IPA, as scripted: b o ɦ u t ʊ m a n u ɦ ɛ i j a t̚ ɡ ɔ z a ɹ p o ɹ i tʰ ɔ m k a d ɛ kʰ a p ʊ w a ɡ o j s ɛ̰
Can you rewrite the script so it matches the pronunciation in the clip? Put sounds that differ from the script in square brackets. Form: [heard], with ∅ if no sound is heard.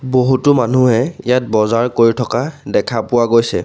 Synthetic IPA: b o ɦ u t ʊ m a n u ɦ ɛ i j a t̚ [b] ɔ z a ɹ [k] o ɹ i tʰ ɔ [∅] k a d ɛ kʰ a p ʊ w a ɡ o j s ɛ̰